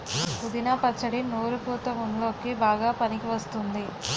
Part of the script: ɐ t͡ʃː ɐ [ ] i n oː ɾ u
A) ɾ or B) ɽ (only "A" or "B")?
B